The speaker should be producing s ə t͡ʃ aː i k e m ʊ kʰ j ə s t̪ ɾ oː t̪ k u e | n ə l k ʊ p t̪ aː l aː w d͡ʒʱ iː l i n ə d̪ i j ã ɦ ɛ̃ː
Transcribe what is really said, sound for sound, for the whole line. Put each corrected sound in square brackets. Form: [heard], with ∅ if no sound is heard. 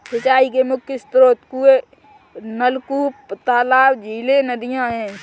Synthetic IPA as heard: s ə t͡ʃ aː i k e m ʊ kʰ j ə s t̪ ɾ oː t̪ k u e | n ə l k [u] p t̪ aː l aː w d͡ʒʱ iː l [e] n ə d̪ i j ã ɦ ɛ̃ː